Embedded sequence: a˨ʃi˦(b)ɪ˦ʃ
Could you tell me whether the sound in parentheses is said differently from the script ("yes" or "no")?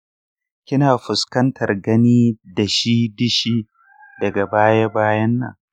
yes